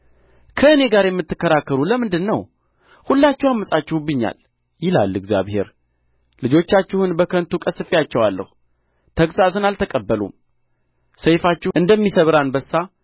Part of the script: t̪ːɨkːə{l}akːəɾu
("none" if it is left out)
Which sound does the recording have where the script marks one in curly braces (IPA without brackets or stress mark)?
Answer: ɾ